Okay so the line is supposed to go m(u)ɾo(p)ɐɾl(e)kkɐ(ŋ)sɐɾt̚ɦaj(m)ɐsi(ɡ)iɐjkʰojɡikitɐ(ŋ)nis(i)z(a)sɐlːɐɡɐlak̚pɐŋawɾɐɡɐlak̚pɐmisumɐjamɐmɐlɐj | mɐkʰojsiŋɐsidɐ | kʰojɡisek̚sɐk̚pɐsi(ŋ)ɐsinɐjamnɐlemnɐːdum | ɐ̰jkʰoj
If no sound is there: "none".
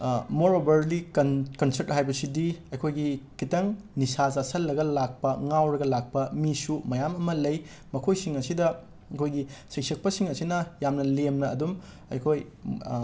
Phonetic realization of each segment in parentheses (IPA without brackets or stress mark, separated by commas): o, b, i, n, b, d, ŋ, a, a, ŋ